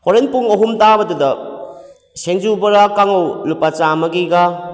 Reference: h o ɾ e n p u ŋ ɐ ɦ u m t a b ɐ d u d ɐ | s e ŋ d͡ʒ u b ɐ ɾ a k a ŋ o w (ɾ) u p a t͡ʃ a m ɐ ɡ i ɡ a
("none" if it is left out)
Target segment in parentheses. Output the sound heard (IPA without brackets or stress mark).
l